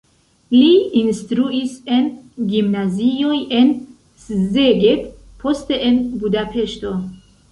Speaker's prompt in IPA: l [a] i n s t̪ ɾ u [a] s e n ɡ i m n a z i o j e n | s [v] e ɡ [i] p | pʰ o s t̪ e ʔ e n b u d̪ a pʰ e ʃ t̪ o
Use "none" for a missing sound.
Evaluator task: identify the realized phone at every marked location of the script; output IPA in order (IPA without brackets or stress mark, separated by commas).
i, i, z, e